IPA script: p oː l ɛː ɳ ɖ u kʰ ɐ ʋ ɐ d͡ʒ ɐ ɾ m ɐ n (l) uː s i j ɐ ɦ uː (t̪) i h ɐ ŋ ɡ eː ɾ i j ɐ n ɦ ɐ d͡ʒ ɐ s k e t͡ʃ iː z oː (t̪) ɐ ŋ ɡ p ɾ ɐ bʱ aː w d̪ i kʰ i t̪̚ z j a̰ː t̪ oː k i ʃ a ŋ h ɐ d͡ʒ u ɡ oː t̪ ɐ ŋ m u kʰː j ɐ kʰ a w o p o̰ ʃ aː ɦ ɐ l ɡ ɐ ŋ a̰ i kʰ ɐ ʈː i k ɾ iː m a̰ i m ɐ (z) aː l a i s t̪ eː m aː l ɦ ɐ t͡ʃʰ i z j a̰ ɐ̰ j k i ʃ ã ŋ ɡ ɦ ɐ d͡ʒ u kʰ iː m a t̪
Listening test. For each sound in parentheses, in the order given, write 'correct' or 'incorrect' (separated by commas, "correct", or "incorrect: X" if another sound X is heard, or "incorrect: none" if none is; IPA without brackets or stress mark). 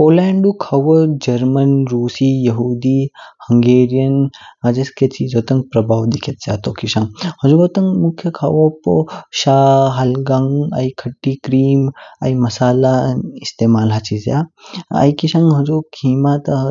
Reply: incorrect: ɾ, incorrect: d̪, correct, incorrect: s